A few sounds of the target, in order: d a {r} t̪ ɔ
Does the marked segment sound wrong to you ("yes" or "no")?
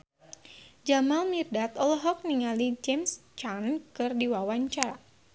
yes